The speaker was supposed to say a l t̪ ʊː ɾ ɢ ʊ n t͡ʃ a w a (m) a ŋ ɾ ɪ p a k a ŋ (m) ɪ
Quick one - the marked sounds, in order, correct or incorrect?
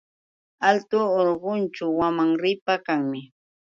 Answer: correct, correct

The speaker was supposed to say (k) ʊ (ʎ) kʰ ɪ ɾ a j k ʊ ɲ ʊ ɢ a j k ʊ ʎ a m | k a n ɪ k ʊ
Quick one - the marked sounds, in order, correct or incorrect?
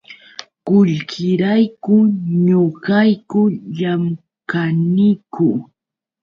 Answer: correct, correct

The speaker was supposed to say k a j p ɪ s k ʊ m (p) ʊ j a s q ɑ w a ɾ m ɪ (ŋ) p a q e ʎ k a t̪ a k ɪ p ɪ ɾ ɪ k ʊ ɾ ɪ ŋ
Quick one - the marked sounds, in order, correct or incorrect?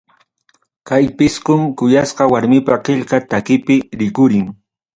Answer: incorrect, incorrect

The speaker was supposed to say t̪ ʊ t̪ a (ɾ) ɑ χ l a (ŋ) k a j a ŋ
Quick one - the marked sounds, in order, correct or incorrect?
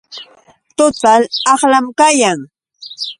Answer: incorrect, incorrect

